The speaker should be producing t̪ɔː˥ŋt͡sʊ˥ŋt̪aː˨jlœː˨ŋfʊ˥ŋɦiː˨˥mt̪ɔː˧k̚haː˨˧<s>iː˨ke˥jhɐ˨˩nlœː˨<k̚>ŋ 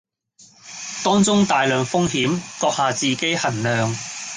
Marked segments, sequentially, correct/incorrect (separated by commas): incorrect, incorrect